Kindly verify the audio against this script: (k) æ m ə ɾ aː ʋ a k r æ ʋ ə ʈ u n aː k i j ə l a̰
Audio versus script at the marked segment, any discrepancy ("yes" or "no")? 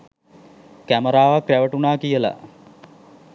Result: no